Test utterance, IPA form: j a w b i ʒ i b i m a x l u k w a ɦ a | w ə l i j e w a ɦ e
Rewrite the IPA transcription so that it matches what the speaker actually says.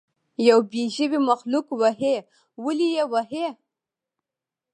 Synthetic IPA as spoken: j a w b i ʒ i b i m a x l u k w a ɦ e | w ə l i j e w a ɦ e